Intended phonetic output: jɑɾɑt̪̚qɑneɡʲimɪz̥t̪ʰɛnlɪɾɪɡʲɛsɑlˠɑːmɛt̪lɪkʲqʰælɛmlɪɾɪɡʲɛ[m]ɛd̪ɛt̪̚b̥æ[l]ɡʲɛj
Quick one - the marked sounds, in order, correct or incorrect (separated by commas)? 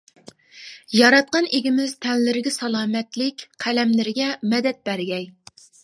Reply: correct, incorrect